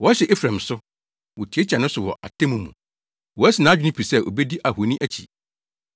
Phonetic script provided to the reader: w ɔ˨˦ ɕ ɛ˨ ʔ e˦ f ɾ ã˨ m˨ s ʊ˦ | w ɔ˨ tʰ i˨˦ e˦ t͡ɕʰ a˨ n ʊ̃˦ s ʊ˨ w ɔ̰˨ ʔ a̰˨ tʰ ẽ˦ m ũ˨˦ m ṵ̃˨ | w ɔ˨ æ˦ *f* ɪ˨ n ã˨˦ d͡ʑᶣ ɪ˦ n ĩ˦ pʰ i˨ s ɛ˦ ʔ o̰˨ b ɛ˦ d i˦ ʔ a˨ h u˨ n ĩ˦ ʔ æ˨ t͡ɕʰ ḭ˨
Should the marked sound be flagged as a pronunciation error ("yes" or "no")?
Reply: yes